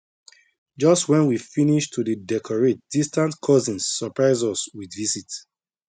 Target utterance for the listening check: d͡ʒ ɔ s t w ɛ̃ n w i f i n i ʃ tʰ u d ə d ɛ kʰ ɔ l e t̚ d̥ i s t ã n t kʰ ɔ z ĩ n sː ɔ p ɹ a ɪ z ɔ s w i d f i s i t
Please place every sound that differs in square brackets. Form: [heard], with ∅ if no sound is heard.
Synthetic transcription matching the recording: d͡ʒ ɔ s t w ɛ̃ n w i f i n i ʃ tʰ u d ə d ɛ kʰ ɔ [ɹ] e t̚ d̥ i s t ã n t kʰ ɔ z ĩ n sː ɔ p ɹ a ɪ z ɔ s w i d [v] i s i t